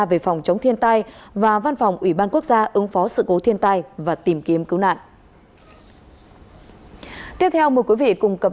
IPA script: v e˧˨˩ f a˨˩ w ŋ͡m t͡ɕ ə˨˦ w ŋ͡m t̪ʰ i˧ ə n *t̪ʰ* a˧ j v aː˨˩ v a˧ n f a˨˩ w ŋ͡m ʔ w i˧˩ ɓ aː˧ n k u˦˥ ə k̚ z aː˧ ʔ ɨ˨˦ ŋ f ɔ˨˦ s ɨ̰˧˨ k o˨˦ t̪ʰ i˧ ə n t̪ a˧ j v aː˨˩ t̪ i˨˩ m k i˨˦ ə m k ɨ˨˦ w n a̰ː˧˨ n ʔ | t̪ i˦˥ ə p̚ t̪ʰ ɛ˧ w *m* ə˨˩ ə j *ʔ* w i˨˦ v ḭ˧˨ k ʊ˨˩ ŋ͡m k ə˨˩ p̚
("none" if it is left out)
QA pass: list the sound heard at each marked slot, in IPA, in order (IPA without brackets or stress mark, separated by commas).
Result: t̪, m, k